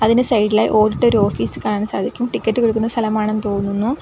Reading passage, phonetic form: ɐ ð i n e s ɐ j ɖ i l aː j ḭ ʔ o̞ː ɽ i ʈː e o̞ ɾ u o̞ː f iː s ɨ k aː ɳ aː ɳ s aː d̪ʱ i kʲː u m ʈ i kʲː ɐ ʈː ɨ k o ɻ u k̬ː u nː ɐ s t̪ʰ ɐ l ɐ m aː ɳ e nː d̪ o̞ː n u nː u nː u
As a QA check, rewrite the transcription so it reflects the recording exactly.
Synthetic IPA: ɐ ð i n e s ɐ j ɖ i l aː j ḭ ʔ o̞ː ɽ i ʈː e o̞ ɾ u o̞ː f iː s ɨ k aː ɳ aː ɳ s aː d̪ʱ i kʲː u m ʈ i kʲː ɐ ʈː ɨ k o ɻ u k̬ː u nː ɐ s t̪ʰ ɐ l ɐ m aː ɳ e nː t̪ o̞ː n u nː u nː u